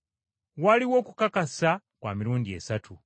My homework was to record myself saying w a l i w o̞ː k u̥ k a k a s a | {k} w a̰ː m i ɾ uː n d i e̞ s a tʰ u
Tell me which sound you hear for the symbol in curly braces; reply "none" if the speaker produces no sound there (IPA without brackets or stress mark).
k